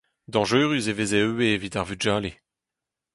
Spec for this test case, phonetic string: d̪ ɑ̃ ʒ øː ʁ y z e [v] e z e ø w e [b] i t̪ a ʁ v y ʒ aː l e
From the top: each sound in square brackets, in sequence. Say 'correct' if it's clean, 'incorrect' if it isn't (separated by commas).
correct, incorrect